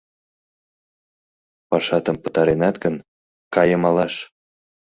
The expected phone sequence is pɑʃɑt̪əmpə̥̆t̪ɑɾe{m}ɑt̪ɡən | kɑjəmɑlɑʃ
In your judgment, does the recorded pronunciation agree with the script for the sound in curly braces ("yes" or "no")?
no